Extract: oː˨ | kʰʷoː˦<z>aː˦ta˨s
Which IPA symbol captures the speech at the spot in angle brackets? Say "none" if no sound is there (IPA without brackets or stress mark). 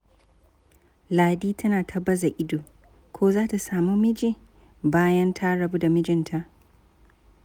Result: z